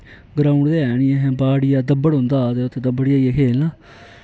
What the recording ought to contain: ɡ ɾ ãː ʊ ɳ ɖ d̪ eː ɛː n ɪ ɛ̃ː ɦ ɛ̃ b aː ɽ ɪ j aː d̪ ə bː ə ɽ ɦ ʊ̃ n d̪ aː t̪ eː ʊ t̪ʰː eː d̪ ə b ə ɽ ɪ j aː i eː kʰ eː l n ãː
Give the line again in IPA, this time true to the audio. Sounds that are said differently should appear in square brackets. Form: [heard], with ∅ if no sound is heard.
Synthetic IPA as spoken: ɡ ɾ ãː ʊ ɳ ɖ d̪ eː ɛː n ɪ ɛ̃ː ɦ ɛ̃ b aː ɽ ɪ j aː d̪ ə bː ə ɽ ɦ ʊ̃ n d̪ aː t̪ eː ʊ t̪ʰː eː d̪ ə b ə ɽ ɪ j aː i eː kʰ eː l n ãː